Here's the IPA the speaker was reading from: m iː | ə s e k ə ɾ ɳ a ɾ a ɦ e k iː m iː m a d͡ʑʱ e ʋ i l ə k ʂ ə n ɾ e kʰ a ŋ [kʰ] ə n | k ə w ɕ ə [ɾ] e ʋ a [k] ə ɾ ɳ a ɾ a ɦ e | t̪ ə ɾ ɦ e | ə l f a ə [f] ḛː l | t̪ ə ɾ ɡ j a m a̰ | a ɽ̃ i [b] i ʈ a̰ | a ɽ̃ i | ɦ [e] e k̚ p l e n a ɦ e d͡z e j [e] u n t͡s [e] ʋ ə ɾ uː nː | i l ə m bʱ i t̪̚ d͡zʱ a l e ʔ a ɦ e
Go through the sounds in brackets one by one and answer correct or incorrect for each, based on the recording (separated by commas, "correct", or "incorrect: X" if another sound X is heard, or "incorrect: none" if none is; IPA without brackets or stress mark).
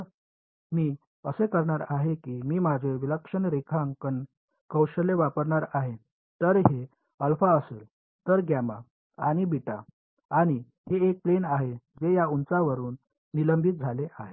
incorrect: k, incorrect: l, incorrect: p, incorrect: s, correct, correct, incorrect: a, incorrect: a